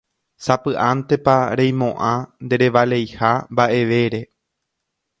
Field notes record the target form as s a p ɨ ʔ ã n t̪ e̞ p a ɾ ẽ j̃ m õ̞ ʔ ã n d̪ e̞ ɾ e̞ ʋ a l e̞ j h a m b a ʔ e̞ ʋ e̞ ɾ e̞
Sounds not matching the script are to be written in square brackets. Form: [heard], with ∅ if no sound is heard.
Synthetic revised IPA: s a p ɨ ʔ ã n t̪ e̞ p a ɾ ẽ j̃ m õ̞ ʔ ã n d̪ e̞ ɾ e̞ ʋ a l e̞ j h a m b a ʔ e̞ ʋ e̞ ɾ e̞